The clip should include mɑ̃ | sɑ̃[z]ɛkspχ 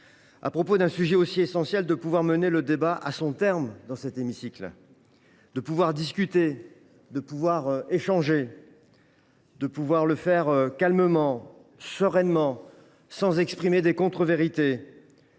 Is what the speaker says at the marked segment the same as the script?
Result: yes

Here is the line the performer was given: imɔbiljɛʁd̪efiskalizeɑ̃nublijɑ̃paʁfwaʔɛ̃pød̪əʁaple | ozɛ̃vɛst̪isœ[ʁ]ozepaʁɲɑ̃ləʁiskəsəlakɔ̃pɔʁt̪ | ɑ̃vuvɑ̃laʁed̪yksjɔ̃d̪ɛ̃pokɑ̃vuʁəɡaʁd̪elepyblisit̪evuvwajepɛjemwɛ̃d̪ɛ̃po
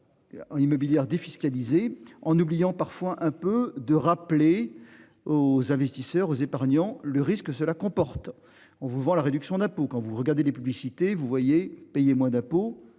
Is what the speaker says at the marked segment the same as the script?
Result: yes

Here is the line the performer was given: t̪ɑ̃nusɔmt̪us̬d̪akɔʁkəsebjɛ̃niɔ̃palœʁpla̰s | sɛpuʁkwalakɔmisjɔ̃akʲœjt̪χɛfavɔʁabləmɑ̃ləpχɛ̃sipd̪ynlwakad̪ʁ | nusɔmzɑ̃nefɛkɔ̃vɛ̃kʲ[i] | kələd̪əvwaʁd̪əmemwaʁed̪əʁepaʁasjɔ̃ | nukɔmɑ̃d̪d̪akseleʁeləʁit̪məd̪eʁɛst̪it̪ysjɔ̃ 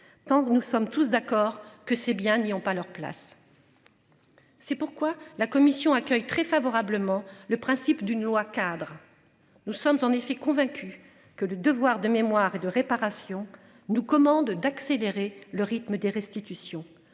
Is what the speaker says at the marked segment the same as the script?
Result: no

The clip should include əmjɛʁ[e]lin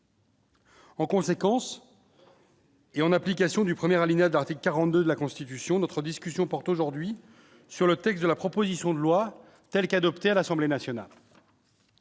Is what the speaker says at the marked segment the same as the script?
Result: no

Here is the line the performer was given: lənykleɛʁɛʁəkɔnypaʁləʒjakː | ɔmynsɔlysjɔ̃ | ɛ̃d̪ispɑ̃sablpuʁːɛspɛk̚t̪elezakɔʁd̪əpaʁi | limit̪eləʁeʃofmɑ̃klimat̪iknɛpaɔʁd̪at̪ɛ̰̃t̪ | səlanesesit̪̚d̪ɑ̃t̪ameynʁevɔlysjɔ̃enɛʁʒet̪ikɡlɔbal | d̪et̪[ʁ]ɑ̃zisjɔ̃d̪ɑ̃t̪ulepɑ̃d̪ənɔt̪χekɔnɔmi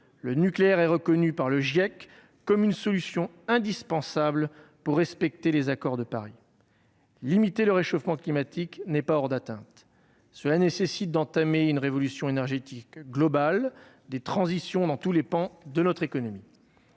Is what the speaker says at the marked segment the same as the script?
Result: no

